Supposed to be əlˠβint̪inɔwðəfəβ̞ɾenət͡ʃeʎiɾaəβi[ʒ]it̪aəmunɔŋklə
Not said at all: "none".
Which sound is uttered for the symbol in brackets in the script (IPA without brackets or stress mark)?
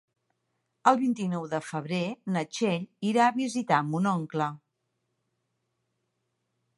z